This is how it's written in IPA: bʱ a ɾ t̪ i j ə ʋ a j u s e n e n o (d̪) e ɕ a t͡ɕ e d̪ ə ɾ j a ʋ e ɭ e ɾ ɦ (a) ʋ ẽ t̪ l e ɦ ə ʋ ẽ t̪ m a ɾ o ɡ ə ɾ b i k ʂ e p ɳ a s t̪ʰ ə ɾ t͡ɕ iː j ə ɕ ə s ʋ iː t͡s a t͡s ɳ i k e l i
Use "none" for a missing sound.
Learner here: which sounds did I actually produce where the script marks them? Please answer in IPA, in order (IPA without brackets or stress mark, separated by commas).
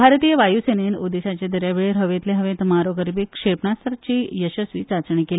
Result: d̪, ə